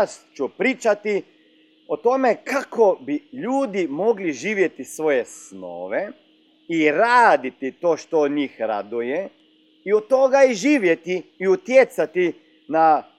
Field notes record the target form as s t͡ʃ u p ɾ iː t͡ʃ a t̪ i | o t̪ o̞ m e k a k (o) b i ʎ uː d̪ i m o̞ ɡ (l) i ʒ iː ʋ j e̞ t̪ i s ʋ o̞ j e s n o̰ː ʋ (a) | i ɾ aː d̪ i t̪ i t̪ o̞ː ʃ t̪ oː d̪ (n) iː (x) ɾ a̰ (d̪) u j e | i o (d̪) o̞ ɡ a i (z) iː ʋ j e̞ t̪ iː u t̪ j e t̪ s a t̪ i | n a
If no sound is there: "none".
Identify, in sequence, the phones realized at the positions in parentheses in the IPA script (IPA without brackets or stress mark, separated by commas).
o, l, e, ɲ, x, d̪, t̪, ʒ